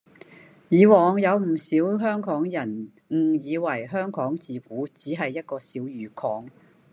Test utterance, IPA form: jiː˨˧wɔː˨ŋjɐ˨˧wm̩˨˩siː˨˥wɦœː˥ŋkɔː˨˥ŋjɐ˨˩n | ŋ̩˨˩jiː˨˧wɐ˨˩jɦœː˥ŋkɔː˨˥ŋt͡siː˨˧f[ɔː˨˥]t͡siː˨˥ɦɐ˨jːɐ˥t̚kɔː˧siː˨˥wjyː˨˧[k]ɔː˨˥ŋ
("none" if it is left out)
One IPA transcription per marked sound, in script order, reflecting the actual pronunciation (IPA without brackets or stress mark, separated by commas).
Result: uː˨˥, kʰ